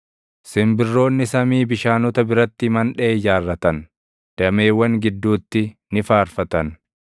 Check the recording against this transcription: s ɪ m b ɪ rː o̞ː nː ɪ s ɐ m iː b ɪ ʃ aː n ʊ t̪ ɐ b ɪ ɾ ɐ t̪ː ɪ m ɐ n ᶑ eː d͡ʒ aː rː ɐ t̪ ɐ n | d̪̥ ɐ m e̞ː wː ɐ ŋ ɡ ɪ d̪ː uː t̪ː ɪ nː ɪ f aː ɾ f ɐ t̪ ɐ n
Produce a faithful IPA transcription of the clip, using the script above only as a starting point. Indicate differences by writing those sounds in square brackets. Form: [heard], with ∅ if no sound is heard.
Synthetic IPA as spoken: s ɪ m b ɪ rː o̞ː nː ɪ s ɐ m iː b ɪ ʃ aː n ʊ t̪ ɐ b ɪ ɾ ɐ t̪ː ɪ m ɐ n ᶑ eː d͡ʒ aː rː ɐ t̪ ɐ n | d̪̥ ɐ m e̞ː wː ɐ ŋ ɡ ɪ d̪ː uː t̪ː ɪ [n] ɪ f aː ɾ f ɐ t̪ ɐ n